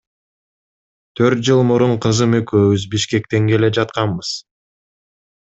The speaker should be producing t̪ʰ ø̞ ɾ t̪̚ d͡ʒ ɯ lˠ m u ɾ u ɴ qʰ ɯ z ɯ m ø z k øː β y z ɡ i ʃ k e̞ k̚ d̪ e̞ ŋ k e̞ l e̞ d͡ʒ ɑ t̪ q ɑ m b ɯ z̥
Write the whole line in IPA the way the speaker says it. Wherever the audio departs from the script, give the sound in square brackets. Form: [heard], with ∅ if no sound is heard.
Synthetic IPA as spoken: t̪ʰ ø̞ ɾ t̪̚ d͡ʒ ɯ lˠ m u ɾ u ɴ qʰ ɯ z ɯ m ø [∅] k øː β y z [b] i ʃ k e̞ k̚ [t̪] e̞ ŋ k e̞ l e̞ d͡ʒ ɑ t̪ q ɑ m b ɯ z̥